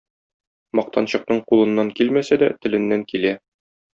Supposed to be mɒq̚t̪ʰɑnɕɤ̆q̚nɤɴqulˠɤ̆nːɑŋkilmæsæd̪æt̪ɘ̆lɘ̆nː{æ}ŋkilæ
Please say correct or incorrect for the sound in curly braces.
correct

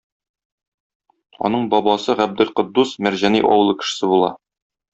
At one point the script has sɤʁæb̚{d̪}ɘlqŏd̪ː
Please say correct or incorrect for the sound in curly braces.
correct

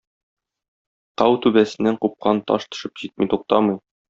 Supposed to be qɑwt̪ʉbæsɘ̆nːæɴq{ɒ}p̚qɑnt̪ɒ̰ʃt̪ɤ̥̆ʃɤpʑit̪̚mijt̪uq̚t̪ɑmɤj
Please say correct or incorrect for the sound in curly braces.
incorrect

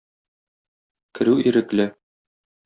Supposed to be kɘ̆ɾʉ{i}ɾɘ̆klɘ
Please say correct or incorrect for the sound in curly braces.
correct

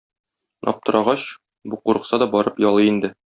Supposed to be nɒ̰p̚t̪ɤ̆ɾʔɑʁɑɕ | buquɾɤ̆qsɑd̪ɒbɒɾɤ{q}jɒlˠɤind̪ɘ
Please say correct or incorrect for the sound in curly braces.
incorrect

